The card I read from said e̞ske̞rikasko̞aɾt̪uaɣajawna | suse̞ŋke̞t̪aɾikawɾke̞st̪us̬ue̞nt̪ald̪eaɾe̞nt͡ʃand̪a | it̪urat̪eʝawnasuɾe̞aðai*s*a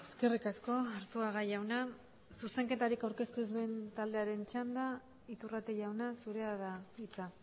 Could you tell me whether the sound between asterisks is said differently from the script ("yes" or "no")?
yes